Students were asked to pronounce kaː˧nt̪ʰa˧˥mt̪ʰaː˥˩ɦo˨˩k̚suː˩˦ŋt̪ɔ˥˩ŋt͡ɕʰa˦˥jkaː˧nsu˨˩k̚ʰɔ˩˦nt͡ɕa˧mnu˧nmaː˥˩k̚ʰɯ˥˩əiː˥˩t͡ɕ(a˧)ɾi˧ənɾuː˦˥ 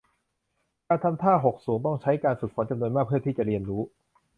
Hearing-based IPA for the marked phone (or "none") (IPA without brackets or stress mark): a˨˩